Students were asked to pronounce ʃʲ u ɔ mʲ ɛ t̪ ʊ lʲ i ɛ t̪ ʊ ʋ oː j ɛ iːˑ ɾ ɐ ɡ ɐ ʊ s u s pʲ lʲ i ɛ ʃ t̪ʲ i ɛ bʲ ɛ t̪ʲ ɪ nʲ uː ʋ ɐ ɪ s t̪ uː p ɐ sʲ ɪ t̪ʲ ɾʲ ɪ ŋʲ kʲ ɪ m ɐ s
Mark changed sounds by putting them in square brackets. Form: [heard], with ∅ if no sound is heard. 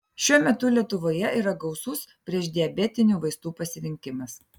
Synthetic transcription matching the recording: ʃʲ u ɔ mʲ ɛ t̪ ʊ lʲ i ɛ t̪ ʊ ʋ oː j ɛ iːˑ ɾ ɐ ɡ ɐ ʊ s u s pʲ [ɾʲ] i ɛ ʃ [d̪ʲ] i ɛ bʲ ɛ t̪ʲ ɪ nʲ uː ʋ ɐ ɪ s t̪ uː p ɐ sʲ ɪ [∅] ɾʲ ɪ ŋʲ kʲ ɪ m ɐ s